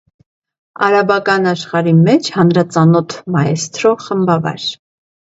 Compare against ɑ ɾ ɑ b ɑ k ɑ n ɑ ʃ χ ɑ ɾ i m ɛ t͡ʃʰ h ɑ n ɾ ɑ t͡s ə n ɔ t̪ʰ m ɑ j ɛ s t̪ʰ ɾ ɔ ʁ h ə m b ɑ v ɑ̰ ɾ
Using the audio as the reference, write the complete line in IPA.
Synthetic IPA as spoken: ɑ ɾ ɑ b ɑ k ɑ n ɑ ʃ χ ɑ ɾ i m ɛ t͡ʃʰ h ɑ n ɾ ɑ t͡s ɑ n ɔ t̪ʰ m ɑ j ɛ s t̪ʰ ɾ ɔ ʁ χ ə m b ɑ v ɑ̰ ɾ